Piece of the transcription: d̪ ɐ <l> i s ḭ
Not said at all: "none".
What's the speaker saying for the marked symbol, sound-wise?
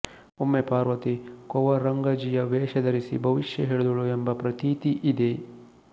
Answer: ɾ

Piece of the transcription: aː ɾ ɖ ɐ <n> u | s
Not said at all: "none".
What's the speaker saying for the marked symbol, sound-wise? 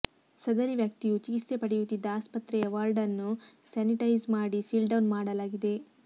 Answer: nː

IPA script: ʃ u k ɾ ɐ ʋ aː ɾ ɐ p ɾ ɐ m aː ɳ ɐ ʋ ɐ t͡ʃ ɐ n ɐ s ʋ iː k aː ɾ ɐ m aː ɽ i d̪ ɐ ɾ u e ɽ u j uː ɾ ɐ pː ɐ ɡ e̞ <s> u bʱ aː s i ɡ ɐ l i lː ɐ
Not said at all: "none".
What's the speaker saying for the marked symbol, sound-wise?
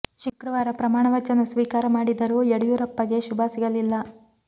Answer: ʃ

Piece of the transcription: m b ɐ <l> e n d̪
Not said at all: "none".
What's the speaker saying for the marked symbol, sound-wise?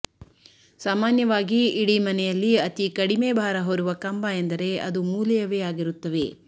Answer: none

